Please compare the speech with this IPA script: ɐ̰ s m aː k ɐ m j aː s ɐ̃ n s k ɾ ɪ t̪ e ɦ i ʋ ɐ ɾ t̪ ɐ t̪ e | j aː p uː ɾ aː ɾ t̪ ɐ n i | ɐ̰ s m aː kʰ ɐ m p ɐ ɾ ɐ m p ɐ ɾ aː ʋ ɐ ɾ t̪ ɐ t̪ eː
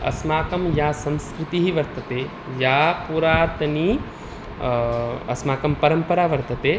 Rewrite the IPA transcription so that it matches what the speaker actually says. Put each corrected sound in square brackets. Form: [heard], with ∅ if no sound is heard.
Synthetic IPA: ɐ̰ s m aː k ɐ m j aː s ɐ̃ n s k ɾ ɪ t̪ [i] ɦ i ʋ ɐ ɾ t̪ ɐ t̪ e | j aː p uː ɾ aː ɾ t̪ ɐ n i | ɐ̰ s m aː [k] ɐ m p ɐ ɾ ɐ m p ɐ ɾ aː ʋ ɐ ɾ t̪ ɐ t̪ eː